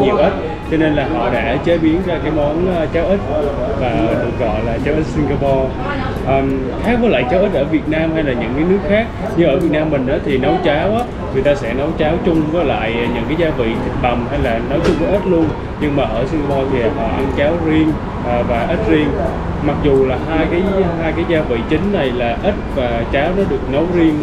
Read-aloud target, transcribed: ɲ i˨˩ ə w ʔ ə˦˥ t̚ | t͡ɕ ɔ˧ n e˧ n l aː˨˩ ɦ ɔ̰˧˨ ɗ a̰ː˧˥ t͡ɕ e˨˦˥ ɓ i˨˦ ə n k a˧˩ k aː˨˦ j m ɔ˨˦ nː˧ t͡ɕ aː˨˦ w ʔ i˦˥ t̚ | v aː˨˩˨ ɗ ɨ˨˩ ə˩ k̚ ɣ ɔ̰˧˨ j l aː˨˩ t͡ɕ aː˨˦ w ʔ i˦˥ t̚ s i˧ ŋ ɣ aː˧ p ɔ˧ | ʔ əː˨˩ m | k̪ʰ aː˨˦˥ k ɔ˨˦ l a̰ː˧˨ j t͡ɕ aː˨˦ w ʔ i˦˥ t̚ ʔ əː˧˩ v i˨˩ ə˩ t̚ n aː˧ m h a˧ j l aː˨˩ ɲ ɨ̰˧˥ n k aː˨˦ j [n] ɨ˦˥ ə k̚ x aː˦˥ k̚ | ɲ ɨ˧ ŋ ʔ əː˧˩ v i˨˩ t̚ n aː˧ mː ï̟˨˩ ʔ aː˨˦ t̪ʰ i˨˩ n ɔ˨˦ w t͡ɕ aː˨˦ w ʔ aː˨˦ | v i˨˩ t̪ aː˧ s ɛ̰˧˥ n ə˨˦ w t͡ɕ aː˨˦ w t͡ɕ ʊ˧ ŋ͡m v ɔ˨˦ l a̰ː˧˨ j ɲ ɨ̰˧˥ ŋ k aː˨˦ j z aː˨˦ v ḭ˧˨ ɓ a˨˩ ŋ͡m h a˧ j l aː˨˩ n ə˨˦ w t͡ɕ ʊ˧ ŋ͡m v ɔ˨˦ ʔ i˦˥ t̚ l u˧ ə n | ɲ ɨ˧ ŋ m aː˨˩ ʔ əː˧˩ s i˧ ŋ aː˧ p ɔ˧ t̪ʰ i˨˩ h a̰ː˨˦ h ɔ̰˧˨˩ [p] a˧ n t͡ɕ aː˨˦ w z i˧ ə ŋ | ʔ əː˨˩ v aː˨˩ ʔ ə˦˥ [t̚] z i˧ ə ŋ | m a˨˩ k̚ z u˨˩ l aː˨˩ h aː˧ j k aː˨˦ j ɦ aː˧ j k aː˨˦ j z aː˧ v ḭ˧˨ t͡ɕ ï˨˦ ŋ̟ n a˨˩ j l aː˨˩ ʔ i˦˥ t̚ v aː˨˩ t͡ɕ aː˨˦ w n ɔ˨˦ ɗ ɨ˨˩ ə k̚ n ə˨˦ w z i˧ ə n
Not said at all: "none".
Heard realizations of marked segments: n, ʔ, t̚

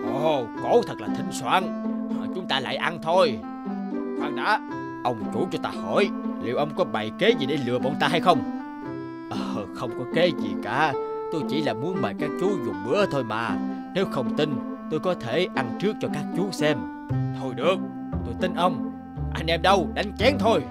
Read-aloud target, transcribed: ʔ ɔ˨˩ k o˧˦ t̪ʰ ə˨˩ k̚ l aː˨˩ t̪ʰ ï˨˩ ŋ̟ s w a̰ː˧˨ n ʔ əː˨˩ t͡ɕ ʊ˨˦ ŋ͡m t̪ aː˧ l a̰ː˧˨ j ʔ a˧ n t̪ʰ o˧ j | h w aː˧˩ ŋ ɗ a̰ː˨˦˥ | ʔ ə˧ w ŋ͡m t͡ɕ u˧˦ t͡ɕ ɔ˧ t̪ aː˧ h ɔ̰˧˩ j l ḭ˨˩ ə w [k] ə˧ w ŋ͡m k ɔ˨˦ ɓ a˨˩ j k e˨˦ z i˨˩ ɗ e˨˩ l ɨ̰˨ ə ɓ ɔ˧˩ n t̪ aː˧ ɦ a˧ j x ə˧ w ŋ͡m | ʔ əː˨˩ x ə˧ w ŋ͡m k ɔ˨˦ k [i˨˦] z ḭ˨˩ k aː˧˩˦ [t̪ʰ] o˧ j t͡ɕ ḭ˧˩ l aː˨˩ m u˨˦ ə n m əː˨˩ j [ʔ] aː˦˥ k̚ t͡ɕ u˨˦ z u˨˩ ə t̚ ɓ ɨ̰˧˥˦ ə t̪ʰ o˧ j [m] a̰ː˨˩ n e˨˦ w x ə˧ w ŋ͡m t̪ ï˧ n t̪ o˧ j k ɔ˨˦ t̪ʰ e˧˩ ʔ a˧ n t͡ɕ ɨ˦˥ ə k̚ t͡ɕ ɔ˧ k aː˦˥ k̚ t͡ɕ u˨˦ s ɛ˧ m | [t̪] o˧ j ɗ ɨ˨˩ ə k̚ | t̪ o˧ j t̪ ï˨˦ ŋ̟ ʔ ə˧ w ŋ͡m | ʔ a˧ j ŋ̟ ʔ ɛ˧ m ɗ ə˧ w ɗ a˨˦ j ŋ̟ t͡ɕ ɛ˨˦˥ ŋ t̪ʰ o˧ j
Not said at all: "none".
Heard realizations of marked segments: ʔ, e˨˦, t̪, k, m, t̪ʰ

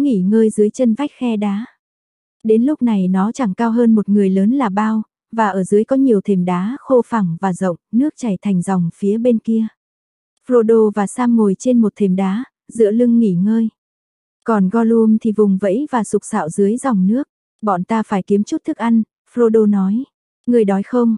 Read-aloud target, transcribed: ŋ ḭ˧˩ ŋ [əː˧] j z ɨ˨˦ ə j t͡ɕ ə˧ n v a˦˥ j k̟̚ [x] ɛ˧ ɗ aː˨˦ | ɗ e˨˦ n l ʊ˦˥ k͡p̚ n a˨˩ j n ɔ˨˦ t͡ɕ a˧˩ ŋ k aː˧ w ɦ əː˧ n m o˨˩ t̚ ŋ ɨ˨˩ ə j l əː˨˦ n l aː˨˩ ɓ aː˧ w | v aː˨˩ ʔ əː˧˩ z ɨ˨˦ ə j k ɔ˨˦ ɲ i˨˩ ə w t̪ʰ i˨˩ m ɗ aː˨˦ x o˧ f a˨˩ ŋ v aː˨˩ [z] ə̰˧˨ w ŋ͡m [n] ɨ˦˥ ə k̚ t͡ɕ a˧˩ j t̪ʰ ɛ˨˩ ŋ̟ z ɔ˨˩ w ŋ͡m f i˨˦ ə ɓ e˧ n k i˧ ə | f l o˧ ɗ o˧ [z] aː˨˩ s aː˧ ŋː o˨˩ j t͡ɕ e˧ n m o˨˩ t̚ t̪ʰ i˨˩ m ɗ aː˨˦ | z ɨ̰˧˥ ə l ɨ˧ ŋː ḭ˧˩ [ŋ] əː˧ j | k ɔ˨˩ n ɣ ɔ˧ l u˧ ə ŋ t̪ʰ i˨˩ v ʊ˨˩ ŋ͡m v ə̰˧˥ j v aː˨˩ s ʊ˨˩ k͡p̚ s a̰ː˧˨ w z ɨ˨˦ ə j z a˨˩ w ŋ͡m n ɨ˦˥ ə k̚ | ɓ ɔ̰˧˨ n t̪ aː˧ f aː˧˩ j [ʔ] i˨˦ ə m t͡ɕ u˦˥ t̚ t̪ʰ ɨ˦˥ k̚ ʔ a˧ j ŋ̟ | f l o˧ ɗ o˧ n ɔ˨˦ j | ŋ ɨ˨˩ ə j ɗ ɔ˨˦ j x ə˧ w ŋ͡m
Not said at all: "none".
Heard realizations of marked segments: əː˧, x, z, n, v, ŋ, k

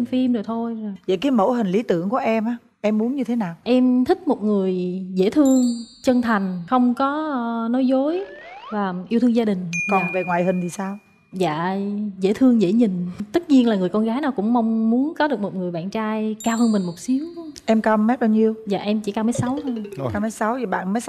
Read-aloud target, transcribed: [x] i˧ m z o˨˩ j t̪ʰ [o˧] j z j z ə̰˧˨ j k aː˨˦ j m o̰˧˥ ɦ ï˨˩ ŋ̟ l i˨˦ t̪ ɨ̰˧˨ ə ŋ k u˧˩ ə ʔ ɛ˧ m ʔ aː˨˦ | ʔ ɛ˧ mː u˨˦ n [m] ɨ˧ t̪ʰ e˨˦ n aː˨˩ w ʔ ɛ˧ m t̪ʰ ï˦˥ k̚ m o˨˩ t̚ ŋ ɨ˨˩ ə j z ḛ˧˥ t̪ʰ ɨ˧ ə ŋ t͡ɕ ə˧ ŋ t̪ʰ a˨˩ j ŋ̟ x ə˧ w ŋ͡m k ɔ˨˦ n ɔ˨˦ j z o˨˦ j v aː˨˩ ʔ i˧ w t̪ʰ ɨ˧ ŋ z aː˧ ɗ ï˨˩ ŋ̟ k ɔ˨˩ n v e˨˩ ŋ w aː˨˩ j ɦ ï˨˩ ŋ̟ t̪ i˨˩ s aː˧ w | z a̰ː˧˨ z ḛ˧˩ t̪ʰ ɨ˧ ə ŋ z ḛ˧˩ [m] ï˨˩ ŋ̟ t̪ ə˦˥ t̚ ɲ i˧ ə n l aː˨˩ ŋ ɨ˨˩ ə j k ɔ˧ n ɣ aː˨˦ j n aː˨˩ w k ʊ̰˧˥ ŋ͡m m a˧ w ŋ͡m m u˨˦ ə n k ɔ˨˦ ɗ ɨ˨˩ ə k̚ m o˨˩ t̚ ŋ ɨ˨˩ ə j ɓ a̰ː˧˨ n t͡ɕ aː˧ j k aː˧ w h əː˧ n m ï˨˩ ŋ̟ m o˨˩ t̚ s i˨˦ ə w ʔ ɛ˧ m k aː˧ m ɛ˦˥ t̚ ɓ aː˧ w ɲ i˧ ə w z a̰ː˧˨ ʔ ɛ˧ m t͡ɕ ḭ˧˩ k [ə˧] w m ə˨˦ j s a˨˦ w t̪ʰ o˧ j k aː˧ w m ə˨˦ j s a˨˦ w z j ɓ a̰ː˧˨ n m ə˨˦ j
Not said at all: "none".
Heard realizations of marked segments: f, o˧, ɲ, ɲ, a˧

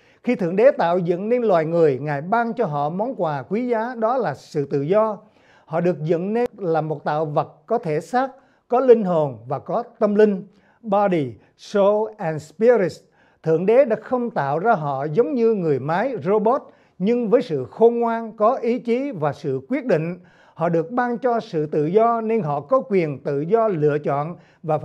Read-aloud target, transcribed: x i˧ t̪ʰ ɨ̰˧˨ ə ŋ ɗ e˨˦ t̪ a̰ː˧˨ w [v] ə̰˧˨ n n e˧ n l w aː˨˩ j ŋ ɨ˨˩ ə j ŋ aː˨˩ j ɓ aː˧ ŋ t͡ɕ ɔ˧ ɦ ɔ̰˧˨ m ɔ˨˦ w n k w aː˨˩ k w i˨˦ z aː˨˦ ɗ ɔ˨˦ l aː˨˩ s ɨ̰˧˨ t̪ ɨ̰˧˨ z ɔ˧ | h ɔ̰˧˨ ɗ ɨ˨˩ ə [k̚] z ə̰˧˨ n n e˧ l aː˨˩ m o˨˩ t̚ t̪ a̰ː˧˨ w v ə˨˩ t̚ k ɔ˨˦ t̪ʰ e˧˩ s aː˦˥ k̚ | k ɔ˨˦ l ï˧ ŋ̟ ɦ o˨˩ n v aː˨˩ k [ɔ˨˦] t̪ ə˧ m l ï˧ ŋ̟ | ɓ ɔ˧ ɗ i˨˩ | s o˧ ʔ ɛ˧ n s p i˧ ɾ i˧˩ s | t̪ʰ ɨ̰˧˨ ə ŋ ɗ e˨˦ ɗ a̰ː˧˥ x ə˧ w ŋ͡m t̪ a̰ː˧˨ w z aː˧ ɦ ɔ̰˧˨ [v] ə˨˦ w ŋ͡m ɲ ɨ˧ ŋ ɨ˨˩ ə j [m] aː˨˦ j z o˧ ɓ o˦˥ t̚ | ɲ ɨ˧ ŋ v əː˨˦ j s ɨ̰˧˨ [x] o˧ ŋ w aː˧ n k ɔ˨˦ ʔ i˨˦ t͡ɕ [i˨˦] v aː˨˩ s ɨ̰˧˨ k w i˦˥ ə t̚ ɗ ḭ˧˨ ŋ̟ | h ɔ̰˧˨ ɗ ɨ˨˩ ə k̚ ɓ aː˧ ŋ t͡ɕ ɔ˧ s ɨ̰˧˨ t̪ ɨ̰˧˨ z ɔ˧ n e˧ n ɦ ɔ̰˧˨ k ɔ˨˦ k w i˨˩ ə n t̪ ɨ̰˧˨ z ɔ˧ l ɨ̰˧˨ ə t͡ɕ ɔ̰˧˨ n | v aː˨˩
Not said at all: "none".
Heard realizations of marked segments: z, k̚, ɔ˨˦, z, m, x, i˨˦

